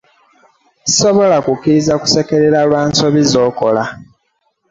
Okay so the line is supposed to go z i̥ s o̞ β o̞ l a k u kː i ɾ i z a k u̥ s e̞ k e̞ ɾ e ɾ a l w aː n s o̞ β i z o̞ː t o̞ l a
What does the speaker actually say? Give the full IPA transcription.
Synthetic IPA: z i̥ s o̞ β o̞ l a k u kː i ɾ i z a k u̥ s e̞ k e̞ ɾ e ɾ a l w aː n s o̞ β i z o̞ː k o̞ l a